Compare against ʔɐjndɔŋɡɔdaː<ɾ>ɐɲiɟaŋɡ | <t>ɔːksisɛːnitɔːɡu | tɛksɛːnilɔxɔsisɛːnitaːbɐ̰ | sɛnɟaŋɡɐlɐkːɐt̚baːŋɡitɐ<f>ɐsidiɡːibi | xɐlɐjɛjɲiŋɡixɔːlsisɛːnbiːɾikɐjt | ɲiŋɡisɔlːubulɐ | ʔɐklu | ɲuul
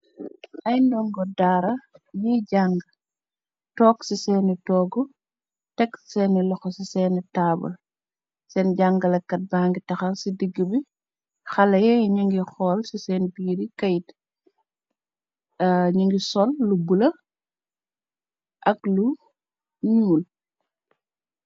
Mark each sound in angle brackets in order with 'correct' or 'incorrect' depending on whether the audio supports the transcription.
correct, correct, incorrect

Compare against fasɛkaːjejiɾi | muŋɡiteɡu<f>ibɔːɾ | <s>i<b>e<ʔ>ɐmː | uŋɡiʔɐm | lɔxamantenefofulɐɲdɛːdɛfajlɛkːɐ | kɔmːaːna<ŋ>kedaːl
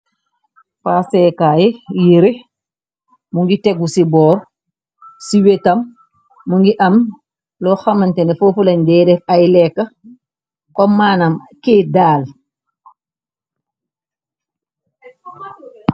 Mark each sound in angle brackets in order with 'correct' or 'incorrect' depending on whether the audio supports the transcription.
incorrect, correct, incorrect, incorrect, incorrect

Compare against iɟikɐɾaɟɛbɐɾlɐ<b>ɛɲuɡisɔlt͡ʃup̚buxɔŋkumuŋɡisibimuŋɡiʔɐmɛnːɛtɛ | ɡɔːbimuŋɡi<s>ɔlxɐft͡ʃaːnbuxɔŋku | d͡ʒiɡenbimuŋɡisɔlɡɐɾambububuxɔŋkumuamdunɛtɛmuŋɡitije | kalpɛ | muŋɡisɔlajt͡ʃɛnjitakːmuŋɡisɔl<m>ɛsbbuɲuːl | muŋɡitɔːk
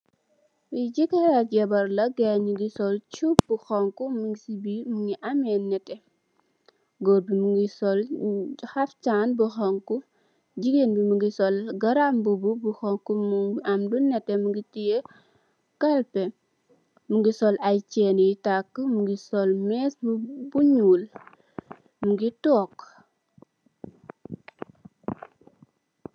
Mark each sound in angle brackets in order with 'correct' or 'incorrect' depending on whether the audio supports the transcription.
incorrect, correct, correct

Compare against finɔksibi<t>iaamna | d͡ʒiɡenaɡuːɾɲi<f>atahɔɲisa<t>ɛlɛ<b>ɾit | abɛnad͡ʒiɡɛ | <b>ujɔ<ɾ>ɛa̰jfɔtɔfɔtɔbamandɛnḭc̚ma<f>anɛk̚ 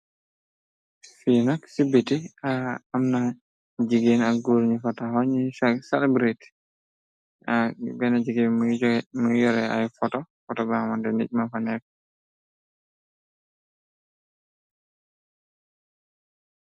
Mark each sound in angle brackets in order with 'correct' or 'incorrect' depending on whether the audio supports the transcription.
correct, correct, incorrect, correct, incorrect, correct, correct

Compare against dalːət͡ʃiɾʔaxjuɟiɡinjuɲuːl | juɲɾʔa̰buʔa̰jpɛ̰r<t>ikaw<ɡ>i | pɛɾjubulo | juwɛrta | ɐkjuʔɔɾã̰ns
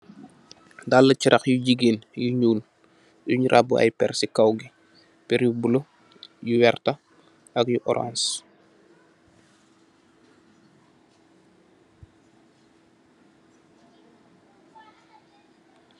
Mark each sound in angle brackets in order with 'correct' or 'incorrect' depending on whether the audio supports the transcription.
incorrect, correct

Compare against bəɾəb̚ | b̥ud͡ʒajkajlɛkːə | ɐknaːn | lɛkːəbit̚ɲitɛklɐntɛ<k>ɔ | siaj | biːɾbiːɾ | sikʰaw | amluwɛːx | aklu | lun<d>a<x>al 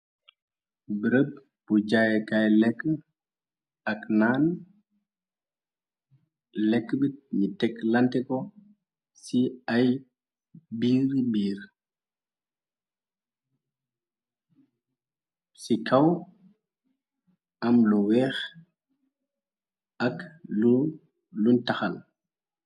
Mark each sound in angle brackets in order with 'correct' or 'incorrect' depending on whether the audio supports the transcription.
correct, incorrect, correct

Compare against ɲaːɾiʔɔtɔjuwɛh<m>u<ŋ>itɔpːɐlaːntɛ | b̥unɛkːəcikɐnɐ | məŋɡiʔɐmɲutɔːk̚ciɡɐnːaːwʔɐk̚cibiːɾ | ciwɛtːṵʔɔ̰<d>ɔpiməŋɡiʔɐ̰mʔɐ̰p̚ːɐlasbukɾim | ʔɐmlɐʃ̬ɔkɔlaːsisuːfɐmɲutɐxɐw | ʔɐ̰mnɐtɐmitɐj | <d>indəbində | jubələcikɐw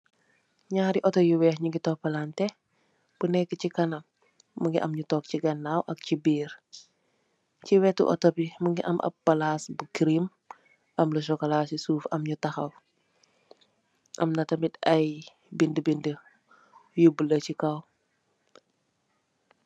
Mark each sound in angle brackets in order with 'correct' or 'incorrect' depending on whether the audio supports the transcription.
incorrect, incorrect, incorrect, incorrect

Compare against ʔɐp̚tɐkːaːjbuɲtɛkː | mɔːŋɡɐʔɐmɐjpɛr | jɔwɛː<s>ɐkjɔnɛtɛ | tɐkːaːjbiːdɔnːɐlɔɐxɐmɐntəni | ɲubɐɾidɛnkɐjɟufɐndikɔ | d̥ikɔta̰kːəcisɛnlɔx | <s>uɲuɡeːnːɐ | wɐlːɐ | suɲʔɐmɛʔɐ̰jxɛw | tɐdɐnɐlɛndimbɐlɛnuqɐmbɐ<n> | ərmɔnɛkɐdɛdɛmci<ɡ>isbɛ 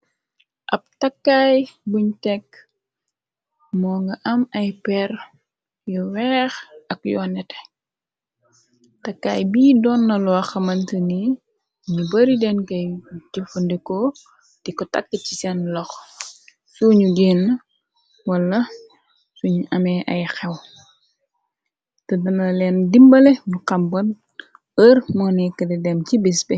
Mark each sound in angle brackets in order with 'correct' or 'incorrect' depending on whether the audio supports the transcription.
incorrect, correct, correct, incorrect

